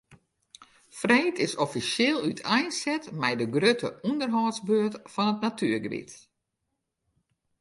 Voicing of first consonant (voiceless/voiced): voiceless